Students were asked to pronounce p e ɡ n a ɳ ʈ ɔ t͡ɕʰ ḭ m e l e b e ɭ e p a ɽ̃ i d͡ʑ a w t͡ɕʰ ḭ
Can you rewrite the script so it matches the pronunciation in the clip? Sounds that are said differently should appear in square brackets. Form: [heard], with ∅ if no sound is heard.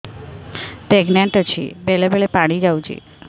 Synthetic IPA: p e ɡ n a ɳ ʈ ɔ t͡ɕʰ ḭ [b] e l e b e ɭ e p a ɽ̃ i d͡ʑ a w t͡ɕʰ ḭ